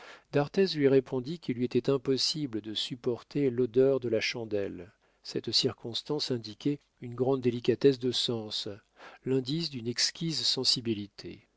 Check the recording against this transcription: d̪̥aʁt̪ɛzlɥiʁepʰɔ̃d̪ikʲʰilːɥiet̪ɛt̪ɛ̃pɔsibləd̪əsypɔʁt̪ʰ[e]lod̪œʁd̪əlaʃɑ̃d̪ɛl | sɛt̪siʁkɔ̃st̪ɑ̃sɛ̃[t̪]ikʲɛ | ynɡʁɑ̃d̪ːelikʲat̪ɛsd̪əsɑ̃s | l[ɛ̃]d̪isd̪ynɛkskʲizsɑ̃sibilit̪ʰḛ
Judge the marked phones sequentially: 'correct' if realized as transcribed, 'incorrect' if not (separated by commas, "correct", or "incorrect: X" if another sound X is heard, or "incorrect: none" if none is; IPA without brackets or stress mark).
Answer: correct, incorrect: d̪, correct